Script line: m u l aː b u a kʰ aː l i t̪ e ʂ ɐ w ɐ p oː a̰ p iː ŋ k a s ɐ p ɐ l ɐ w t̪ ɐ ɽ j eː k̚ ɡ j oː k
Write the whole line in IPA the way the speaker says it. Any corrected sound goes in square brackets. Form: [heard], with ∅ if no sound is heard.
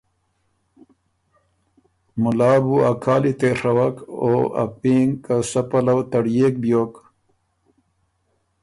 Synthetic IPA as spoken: m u l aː b u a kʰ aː l i t̪ e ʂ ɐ w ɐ [k] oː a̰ p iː ŋ k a s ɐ p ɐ l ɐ w t̪ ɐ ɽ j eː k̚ [b] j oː k